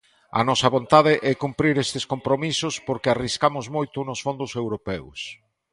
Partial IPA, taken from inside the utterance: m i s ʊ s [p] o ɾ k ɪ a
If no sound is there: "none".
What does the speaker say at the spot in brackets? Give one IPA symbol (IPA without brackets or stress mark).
p